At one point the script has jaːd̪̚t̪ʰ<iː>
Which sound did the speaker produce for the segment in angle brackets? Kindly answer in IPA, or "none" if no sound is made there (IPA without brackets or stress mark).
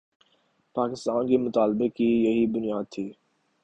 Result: iː